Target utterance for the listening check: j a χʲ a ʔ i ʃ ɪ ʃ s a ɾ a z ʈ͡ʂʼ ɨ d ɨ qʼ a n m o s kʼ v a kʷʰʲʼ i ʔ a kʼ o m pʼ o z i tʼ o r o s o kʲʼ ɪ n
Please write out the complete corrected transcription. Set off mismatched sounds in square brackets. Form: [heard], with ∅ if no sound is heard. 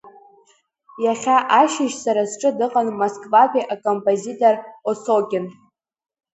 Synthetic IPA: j a χʲ a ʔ [a] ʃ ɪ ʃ s a ɾ a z ʈ͡ʂʼ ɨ d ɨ qʼ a n m o s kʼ v a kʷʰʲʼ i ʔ a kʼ o m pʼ o z i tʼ o r o s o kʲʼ ɪ n